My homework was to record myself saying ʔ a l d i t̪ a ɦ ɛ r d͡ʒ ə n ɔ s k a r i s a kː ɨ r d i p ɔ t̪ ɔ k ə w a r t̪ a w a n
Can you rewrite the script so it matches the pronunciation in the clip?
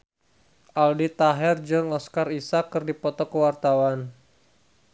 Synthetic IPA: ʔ a l d i t̪ a ɦ ɛ r d͡ʒ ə ŋ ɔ s k a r i s a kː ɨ r d i p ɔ t̪ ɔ k ə w a r t̪ a w a n